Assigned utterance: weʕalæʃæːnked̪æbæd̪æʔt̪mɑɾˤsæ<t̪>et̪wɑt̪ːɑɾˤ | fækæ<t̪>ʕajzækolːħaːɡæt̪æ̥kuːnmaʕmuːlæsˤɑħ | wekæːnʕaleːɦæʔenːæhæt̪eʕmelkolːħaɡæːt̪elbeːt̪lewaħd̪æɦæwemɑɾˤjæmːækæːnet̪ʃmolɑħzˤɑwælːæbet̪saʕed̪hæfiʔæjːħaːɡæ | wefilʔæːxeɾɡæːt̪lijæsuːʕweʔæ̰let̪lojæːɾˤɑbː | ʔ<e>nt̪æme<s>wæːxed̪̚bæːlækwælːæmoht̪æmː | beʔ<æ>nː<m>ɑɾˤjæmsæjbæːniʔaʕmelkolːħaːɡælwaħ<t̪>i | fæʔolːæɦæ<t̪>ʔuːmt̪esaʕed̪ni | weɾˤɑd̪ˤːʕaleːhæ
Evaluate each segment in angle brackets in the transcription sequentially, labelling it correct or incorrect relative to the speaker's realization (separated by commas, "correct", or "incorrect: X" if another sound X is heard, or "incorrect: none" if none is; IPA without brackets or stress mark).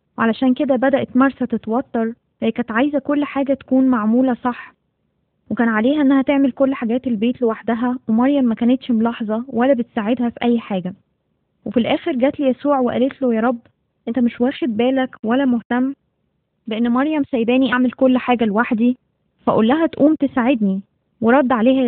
correct, correct, correct, incorrect: ʃ, incorrect: e, correct, incorrect: d̪, correct